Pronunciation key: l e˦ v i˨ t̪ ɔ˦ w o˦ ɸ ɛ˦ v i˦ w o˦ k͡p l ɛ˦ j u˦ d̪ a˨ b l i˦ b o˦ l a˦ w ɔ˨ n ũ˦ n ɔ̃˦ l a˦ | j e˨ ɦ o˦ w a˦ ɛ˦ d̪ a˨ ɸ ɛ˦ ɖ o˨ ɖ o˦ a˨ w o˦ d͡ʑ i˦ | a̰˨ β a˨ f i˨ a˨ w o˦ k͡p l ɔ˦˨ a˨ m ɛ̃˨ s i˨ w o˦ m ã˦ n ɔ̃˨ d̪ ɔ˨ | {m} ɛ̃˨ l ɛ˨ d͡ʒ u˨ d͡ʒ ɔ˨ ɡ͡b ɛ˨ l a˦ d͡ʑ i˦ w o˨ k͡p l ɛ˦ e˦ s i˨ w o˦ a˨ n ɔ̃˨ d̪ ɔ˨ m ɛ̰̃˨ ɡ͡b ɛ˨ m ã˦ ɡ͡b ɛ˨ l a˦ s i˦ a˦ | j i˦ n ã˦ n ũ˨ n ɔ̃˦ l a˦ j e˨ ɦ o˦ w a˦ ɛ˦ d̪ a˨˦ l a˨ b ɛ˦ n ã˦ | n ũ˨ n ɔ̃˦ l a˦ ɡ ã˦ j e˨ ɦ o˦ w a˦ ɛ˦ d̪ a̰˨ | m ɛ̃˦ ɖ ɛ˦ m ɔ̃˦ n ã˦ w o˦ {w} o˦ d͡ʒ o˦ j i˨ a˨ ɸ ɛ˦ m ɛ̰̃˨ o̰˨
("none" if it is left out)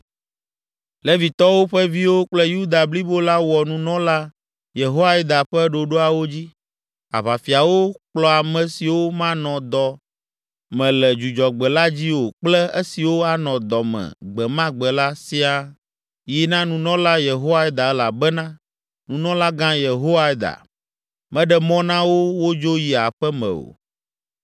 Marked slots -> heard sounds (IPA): m, w

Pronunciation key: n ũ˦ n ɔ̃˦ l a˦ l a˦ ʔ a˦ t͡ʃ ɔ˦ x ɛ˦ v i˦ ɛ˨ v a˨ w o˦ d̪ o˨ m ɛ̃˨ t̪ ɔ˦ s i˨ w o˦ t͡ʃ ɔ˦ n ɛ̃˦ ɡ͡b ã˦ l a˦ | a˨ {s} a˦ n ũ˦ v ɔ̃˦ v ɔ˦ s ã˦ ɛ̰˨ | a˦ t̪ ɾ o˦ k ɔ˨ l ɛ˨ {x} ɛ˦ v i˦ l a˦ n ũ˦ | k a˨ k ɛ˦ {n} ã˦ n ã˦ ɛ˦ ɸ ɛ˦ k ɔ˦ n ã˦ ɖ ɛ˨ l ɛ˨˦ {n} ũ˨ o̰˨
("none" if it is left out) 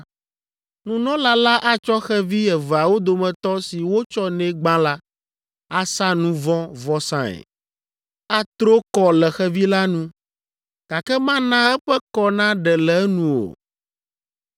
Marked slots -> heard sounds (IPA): s, x, m, n

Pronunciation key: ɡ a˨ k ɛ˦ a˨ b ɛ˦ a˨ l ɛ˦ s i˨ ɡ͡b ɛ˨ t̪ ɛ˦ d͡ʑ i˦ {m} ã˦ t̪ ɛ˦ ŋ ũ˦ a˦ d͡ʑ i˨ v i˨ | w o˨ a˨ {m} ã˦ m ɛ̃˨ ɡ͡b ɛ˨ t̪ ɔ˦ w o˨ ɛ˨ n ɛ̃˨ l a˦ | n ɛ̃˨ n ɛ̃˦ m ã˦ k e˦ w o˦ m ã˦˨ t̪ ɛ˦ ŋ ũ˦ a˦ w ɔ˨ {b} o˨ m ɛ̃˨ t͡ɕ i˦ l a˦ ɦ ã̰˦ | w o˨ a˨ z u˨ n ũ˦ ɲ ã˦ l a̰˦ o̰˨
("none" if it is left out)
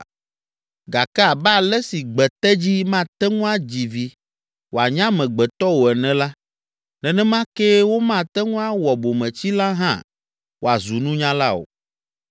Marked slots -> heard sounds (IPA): m, ɲ, b

